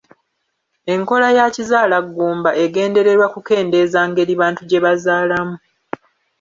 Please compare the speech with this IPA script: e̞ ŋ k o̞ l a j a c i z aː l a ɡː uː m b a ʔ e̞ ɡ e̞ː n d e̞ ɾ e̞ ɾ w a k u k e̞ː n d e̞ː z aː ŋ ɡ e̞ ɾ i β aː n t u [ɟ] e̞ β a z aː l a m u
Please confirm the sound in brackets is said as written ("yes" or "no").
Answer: yes